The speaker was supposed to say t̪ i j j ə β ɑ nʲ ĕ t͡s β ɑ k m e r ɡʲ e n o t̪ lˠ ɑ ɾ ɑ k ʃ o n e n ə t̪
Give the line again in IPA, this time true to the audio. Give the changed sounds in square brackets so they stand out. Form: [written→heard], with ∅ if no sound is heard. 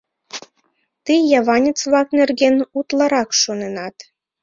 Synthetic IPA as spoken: t̪ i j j [ə→ɑ] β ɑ nʲ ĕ t͡s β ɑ k [m→n] e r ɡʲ e n [o→u] t̪ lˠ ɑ ɾ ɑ k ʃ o n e n [ə→ɑ] t̪